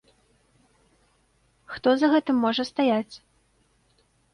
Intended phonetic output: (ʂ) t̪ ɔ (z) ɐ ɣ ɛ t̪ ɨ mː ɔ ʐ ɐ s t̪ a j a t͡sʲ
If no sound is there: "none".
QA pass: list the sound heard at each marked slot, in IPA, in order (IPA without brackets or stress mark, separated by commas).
x, z